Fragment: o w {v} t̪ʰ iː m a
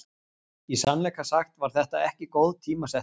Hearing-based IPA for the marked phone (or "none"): ð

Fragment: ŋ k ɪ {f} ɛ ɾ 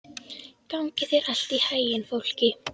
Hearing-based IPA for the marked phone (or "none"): θ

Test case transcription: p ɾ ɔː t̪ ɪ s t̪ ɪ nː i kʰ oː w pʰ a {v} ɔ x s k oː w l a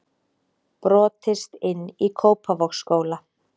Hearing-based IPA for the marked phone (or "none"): v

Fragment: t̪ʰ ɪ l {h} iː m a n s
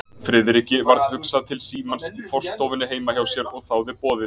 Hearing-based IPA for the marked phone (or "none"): s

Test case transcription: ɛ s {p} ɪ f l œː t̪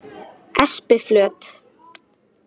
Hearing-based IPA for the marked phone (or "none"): p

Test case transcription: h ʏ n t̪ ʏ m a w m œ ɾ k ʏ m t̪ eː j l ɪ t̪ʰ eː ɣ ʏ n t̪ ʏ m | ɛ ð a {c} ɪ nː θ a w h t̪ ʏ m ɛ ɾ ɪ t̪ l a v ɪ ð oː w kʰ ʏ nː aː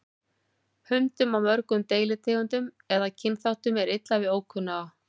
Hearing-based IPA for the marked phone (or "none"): cʰ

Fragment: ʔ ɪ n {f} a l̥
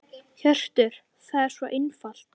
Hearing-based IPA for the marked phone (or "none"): f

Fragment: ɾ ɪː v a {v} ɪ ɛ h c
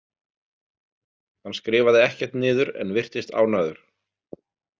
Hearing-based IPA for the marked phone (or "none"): ð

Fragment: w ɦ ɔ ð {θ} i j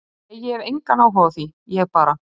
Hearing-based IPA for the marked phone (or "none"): θ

